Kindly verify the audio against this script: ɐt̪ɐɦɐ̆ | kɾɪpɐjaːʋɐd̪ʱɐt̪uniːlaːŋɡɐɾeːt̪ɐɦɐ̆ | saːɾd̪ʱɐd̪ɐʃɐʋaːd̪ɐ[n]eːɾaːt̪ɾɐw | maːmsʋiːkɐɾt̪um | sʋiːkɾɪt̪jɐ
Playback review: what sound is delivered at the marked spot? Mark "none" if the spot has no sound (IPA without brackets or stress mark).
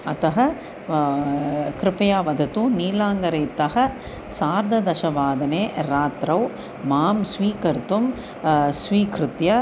n